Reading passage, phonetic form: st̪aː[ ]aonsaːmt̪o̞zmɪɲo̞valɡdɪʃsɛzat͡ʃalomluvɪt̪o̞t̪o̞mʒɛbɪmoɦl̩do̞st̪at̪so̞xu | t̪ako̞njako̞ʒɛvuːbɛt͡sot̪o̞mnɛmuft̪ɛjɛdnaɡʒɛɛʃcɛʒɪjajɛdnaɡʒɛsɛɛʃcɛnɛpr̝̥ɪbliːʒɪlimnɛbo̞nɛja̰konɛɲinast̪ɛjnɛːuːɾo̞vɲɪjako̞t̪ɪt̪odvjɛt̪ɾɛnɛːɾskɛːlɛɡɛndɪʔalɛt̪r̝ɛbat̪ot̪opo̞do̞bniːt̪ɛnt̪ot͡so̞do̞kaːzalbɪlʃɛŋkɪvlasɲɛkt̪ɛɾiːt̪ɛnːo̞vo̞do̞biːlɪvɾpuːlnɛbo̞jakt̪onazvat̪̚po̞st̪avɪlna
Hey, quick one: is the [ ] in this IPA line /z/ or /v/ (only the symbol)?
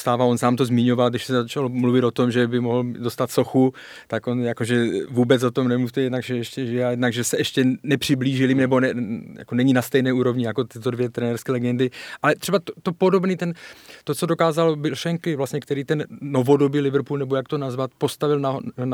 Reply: v